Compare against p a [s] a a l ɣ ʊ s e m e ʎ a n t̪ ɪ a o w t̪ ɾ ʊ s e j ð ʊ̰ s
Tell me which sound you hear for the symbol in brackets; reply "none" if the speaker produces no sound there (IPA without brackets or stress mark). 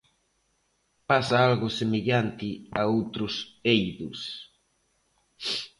s